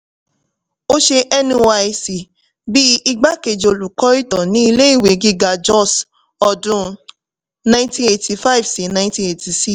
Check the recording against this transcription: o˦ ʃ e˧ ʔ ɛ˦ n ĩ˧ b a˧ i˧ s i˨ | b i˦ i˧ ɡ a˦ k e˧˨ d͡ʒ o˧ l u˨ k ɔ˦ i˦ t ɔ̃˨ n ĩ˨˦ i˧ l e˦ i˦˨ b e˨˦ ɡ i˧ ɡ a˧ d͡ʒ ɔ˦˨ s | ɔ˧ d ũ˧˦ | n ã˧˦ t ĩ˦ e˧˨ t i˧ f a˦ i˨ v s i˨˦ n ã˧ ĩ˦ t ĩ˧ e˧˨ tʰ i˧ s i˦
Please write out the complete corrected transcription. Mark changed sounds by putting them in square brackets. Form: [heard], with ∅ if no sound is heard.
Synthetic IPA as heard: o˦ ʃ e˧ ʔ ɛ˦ n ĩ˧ [w] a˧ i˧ s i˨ | b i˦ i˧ [ɡ͡b] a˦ k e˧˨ d͡ʒ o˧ l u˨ k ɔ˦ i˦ t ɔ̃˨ n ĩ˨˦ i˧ l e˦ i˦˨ [w] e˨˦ ɡ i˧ ɡ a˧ d͡ʒ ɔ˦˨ s | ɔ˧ d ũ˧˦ | n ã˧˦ t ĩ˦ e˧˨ t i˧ f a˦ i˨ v s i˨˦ n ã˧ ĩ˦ t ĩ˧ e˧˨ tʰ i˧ s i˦